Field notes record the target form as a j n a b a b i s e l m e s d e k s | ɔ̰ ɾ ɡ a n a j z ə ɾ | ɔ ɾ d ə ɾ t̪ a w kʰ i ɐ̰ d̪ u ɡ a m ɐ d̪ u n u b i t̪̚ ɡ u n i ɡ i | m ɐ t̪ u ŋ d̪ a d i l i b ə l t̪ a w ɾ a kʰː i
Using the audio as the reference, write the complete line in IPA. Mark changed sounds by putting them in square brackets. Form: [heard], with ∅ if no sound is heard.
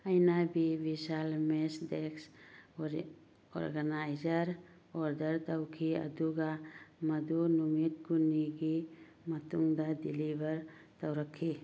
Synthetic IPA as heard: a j n a b [i] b i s [a] l m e s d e k s | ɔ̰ ɾ ɡ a n a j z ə ɾ | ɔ ɾ d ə ɾ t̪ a w kʰ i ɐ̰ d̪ u ɡ a m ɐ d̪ u n u [m] i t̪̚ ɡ u n i ɡ i | m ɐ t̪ u ŋ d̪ a d i l i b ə [ɾ] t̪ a w ɾ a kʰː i